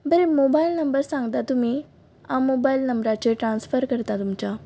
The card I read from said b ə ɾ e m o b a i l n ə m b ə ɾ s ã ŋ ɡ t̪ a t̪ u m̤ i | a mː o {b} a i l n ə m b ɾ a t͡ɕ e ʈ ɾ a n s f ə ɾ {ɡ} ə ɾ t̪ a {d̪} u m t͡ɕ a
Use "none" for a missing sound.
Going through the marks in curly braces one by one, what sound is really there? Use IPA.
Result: b, k, t̪

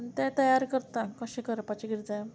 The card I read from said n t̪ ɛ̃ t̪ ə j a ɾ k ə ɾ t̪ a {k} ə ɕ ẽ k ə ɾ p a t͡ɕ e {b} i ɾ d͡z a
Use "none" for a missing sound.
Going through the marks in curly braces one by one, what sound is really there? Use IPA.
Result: k, ɡ

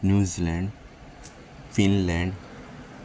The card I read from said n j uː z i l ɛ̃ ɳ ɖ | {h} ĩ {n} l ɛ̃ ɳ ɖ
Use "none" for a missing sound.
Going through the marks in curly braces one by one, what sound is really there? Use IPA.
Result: f, n

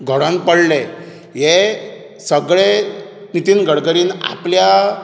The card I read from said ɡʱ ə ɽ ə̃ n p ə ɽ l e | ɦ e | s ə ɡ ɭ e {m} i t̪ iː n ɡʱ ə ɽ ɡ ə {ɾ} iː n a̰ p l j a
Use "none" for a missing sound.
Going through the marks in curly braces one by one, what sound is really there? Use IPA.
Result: n, ɾ

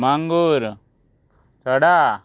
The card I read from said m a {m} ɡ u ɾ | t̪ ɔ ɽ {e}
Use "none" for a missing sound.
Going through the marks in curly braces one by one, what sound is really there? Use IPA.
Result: ŋ, a

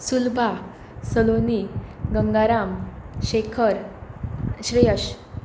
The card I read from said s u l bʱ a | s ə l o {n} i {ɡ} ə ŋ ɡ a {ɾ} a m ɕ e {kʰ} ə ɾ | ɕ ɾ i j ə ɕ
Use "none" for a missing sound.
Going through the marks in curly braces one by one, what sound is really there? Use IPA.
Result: n, ɡ, ɾ, kʰ

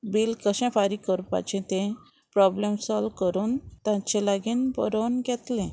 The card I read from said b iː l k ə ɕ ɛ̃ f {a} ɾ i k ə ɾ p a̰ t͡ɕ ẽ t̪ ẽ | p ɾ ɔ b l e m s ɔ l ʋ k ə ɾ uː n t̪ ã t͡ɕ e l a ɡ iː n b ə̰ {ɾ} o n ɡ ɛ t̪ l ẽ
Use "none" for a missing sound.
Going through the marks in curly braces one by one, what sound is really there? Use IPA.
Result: a, ɾ

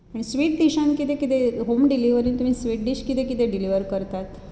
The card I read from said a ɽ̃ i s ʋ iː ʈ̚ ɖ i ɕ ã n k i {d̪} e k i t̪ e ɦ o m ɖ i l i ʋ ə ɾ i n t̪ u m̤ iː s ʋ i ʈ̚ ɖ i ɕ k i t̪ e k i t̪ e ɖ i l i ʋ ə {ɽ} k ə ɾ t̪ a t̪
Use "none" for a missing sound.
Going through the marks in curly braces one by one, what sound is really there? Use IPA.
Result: t̪, ɾ

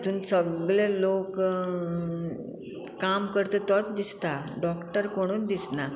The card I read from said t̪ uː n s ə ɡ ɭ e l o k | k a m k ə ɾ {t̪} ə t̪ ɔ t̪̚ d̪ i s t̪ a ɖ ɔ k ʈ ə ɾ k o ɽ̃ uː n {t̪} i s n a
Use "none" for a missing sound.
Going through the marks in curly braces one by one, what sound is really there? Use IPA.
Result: t̪, d̪

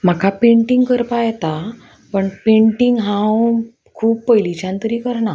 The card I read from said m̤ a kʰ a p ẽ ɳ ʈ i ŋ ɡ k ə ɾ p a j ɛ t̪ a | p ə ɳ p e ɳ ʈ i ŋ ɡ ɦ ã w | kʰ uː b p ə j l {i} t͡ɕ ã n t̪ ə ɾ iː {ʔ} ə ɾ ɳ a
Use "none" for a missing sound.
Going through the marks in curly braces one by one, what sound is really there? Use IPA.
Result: i, k

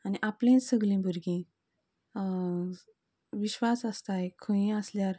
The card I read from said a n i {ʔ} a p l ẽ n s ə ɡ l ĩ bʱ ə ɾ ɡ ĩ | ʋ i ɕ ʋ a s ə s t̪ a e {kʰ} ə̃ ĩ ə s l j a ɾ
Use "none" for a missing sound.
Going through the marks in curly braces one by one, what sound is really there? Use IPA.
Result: ʔ, kʰ

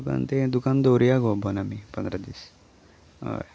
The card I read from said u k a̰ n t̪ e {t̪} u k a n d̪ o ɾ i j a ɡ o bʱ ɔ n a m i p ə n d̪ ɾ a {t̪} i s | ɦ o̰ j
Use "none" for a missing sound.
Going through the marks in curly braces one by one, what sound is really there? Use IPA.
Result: d̪, d̪

